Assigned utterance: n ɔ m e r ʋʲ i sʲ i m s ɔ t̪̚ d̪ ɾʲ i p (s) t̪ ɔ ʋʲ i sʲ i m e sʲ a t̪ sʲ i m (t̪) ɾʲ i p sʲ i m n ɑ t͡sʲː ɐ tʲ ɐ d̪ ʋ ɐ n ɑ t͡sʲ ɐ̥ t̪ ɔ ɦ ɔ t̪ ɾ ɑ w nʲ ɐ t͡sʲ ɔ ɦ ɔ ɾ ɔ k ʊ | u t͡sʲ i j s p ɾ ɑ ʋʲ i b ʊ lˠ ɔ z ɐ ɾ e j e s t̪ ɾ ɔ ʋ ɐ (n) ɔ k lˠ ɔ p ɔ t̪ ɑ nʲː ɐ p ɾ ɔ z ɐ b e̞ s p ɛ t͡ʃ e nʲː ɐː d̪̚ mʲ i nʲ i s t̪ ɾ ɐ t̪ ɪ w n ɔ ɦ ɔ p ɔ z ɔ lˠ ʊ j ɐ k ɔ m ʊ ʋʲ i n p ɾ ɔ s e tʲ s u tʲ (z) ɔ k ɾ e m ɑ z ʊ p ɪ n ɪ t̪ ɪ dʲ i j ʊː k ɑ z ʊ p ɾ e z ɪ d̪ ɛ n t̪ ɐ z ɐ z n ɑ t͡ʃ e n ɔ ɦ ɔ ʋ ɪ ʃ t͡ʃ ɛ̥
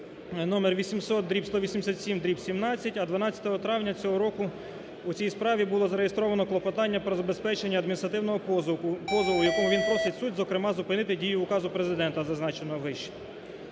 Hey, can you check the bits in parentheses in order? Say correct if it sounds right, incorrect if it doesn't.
correct, incorrect: d̪, correct, correct

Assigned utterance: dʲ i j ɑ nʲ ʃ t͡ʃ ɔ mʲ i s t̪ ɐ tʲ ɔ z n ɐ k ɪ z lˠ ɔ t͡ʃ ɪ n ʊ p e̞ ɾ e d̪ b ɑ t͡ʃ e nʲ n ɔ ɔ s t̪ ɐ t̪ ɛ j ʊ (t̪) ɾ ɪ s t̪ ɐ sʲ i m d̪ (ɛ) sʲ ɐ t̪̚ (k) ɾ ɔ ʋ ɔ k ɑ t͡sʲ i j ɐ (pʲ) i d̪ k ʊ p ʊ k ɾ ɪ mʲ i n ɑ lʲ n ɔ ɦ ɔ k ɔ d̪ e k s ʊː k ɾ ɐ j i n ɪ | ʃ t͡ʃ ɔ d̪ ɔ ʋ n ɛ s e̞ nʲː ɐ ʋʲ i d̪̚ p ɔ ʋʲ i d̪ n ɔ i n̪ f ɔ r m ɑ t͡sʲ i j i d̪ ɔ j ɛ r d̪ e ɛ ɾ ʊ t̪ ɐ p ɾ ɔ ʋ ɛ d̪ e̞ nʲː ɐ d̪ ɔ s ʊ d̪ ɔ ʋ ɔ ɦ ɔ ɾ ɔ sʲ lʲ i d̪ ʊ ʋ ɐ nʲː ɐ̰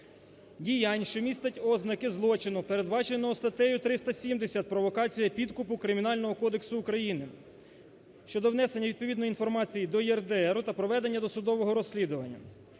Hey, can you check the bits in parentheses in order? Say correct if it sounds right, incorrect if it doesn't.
correct, incorrect: e, incorrect: p, correct

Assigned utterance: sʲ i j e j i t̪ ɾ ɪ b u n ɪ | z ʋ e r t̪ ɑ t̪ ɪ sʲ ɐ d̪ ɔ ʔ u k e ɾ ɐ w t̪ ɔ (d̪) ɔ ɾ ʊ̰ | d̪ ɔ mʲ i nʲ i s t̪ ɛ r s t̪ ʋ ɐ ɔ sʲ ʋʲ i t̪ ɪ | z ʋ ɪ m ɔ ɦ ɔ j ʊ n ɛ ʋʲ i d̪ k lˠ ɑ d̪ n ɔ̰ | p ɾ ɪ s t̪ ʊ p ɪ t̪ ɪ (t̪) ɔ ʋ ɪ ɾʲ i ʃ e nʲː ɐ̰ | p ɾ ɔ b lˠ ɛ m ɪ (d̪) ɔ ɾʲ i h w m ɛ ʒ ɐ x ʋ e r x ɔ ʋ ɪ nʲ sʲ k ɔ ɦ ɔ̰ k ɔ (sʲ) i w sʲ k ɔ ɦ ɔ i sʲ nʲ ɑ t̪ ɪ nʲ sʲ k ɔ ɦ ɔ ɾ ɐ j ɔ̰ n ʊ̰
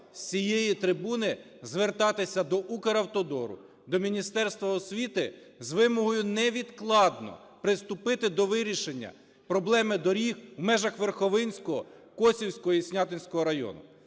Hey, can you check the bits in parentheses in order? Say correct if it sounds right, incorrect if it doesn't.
correct, incorrect: d̪, correct, correct

